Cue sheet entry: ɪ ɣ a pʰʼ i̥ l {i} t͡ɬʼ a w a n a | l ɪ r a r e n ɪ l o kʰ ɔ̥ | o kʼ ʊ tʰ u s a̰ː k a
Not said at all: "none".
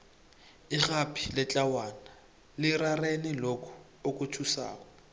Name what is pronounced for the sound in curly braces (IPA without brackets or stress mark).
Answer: ɪ